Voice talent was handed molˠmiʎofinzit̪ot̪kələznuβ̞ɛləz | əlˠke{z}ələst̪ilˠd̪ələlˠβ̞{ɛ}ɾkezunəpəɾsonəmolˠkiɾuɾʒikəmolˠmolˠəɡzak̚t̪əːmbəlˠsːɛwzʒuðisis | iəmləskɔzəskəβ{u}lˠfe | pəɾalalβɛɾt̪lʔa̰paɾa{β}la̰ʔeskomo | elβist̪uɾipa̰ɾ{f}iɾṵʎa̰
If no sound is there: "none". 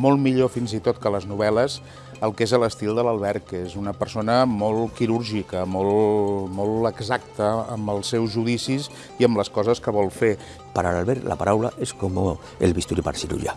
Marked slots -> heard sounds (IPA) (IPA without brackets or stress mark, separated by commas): z, ɛ, ɔ, w, s